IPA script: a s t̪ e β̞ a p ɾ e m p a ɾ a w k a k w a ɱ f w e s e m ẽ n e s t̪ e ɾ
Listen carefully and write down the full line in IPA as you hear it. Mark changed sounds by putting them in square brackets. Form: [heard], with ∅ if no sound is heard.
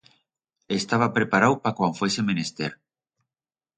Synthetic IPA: [e] s t̪ [a] β̞ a p ɾ e [∅] p a ɾ a w [p] a k w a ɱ f w e s e m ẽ n e s t̪ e ɾ

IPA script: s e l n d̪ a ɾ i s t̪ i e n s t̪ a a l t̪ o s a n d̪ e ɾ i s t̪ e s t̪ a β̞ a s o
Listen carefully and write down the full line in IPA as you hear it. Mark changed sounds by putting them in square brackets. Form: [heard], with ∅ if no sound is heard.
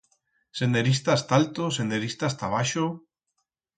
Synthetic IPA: s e [∅] n d̪ [e] ɾ i s t̪ [a] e [∅] s t̪ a a l t̪ o s [e] n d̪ e ɾ i s t̪ [a] s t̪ a β̞ a [ʃ] o

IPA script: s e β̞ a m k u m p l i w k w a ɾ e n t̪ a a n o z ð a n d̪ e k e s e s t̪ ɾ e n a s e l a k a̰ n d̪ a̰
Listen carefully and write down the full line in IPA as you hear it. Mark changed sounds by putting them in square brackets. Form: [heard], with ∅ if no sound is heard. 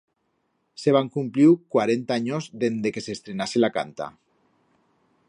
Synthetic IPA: s e β̞ a [ŋ] k u m p l i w k w a ɾ e n t̪ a a [ɲ] o z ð [e] n d̪ e k e s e s t̪ ɾ e n a s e l a k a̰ n [t̪] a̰

